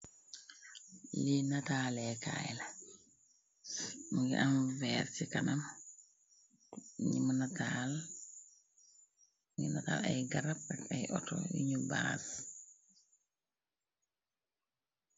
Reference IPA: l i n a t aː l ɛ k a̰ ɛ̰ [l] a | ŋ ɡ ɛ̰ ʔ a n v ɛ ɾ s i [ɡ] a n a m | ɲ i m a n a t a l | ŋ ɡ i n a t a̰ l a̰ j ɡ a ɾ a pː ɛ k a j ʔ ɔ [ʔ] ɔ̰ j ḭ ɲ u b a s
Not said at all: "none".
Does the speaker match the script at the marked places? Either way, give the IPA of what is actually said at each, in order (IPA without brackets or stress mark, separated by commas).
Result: l, k, t